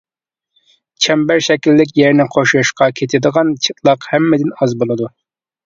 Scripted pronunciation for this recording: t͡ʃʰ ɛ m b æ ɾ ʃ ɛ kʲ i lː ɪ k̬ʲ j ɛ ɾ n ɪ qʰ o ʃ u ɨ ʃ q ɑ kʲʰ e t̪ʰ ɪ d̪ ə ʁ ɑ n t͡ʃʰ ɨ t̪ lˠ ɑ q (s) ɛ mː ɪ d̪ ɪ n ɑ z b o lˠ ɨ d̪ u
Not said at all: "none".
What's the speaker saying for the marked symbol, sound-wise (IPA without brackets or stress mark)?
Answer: h